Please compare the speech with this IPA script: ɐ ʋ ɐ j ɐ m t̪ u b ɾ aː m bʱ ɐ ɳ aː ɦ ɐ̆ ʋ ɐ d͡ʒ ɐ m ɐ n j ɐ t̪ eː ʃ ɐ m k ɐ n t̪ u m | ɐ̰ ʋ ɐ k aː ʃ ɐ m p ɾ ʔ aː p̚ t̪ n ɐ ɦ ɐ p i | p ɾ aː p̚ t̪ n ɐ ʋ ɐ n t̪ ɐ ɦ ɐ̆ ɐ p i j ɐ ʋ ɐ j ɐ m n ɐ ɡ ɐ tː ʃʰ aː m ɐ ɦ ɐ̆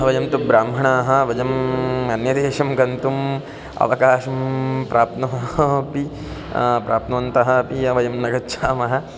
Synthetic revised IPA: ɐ ʋ ɐ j ɐ m t̪ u b ɾ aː m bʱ ɐ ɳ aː ɦ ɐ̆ ʋ ɐ d͡ʒ ɐ m ɐ n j ɐ d̪ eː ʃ ɐ m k ɐ n t̪ u m | ɐ̰ ʋ ɐ k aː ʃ ɐ m p ɾ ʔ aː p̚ t̪ n ɐ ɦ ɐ p i | p ɾ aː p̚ t̪ n ɐ ʋ ɐ n t̪ ɐ ɦ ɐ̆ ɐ p i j ɐ ʋ ɐ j ɐ m n ɐ ɡ ɐ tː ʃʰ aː m ɐ ɦ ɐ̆